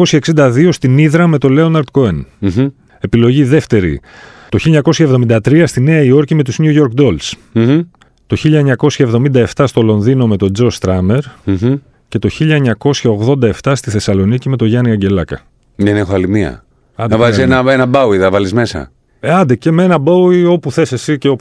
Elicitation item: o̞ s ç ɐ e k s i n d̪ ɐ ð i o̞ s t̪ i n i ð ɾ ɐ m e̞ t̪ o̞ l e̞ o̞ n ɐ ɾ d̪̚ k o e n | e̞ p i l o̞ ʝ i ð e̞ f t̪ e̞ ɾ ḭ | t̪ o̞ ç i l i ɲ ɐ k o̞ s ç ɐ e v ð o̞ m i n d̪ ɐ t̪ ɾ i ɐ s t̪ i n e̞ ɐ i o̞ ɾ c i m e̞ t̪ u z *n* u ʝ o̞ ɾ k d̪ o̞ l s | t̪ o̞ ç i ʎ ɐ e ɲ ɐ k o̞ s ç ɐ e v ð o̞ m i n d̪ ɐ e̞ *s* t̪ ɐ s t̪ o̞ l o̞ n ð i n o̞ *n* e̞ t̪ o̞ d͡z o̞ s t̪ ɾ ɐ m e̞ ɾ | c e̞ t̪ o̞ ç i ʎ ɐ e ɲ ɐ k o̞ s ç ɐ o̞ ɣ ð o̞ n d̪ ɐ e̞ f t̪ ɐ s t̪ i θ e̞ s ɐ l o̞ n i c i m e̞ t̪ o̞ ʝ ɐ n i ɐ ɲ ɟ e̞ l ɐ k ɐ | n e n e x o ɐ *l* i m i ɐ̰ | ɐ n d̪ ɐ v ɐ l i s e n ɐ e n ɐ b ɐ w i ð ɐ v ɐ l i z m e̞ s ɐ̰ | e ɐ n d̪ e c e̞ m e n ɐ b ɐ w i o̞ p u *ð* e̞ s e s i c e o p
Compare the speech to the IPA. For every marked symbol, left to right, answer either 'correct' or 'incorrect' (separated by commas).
incorrect, incorrect, incorrect, correct, incorrect